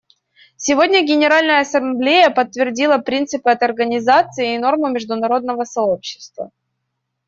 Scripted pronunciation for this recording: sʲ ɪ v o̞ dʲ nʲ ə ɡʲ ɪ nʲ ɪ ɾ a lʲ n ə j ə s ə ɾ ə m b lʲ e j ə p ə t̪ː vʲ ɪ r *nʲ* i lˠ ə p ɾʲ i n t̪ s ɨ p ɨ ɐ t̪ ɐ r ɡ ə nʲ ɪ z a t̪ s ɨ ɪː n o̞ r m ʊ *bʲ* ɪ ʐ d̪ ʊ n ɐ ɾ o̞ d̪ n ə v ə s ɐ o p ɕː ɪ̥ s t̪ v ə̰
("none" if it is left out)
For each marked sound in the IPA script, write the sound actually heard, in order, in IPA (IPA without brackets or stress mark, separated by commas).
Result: dʲ, mʲ